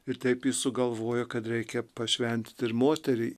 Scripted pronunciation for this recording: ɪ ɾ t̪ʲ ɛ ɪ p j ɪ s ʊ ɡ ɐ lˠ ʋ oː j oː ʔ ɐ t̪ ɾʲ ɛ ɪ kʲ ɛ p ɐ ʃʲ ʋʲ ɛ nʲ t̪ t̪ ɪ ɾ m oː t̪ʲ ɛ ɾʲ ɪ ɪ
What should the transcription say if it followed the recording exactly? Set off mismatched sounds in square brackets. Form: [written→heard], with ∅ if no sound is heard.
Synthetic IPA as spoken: ɪ ɾ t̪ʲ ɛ ɪ p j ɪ s ʊ ɡ ɐ lˠ ʋ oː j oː [ʔ→k] ɐ t̪ ɾʲ ɛ ɪ kʲ ɛ p ɐ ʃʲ ʋʲ ɛ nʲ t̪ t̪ ɪ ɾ m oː t̪ʲ ɛ ɾʲ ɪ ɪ